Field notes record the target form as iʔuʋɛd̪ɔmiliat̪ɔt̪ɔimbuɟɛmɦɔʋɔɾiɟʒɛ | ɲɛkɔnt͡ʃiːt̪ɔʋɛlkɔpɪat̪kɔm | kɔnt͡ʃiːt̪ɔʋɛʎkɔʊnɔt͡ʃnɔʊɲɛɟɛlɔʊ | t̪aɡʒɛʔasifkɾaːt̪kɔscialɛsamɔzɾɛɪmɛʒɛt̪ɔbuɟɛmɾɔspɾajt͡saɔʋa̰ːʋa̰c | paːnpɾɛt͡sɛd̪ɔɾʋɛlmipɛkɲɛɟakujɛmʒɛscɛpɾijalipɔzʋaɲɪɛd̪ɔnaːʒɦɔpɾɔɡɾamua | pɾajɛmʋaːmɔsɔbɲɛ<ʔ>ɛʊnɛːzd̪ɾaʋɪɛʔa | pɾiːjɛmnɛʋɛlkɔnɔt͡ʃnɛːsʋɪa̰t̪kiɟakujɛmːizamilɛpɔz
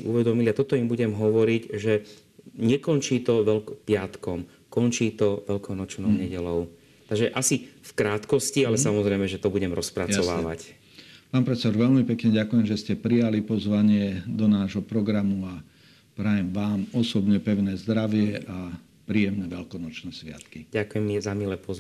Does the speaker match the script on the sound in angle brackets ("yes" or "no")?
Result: no